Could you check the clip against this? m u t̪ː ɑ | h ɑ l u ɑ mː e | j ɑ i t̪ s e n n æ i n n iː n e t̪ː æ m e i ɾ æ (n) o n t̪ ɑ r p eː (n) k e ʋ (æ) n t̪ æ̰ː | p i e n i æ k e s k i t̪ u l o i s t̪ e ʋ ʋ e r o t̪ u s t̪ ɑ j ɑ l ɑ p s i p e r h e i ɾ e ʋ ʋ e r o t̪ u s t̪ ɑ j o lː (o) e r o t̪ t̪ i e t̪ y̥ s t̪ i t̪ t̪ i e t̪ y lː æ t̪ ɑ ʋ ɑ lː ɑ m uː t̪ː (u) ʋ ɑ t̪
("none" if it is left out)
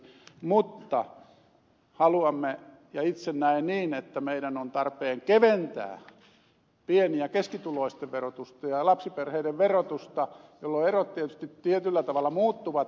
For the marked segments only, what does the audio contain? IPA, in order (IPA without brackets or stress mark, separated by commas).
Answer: n, ŋ, e, o, u